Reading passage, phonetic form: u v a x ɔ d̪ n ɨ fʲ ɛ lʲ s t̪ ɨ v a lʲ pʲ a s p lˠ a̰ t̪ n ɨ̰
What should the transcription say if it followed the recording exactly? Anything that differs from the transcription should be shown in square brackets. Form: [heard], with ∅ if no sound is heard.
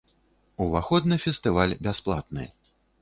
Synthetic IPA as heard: u v a x ɔ d̪ n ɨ fʲ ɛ [∅] s t̪ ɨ v a lʲ [bʲ] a s p lˠ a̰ t̪ n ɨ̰